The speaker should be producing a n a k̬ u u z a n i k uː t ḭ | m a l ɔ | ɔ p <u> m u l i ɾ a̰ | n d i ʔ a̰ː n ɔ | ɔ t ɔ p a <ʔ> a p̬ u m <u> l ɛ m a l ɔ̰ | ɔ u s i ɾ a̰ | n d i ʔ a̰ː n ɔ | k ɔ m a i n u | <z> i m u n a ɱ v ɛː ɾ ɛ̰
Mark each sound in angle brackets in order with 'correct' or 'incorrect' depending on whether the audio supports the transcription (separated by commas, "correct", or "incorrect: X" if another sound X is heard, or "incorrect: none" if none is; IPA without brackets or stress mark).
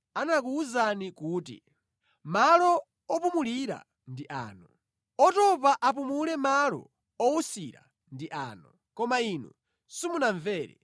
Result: correct, correct, correct, incorrect: s